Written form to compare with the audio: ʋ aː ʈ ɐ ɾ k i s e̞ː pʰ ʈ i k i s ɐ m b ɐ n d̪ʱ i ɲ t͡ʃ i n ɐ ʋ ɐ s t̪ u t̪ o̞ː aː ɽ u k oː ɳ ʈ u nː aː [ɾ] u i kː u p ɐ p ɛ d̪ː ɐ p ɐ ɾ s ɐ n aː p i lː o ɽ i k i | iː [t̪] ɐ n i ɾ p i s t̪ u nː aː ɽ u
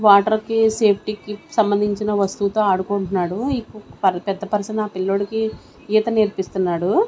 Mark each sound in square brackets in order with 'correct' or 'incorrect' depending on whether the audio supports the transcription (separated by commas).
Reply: incorrect, correct